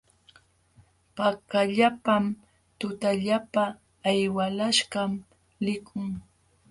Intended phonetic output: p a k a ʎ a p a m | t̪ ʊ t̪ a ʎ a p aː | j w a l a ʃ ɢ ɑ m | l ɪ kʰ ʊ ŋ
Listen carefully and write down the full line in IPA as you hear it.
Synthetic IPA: p a k a ʎ a p a m | t̪ ʊ t̪ a ʎ a p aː | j w a l a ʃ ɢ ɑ m | l ɪ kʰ ʊ ŋ